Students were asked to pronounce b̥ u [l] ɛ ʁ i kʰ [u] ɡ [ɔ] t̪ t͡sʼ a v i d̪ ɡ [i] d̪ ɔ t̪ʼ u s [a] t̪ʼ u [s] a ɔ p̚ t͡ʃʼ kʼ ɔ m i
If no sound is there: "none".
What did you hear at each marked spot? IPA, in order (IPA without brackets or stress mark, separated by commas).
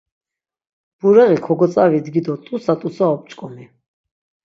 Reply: ɾ, ɔ, ɔ, i, a, s